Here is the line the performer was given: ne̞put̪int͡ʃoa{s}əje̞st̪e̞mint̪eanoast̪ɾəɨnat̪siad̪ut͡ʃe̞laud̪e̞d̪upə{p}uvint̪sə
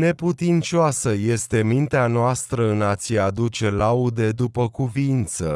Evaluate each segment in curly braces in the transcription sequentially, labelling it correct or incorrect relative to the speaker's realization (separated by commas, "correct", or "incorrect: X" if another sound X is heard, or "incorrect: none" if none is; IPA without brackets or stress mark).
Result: correct, incorrect: k